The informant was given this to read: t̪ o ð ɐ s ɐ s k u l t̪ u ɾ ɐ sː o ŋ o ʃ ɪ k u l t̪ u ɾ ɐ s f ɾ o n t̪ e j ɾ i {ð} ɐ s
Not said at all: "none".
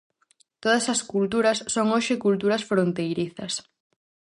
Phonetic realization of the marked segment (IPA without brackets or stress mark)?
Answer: θ